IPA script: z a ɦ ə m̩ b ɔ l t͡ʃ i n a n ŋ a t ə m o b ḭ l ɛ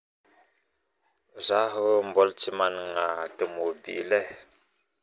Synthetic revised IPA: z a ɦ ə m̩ b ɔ l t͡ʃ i m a n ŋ a t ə m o b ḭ l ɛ